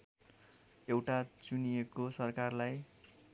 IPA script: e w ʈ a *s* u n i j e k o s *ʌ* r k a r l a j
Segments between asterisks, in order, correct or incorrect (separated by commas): incorrect, correct